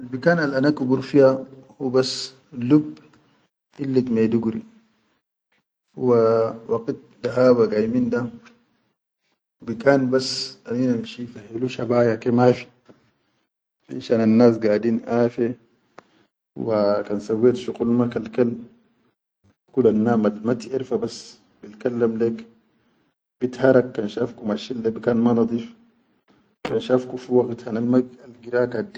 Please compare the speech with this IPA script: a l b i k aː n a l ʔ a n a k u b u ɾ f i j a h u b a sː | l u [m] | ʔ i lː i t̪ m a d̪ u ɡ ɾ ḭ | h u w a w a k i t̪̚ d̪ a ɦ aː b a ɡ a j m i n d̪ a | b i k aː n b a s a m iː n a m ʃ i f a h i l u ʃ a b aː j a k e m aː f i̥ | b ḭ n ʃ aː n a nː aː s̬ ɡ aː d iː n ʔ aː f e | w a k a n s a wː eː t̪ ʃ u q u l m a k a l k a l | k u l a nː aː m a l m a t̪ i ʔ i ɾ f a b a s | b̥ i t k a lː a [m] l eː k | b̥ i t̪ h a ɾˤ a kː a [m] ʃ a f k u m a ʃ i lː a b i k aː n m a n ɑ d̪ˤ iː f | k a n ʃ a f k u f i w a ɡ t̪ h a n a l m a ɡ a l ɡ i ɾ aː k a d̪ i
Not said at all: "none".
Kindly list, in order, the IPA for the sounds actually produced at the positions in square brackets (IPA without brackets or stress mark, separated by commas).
b, m, n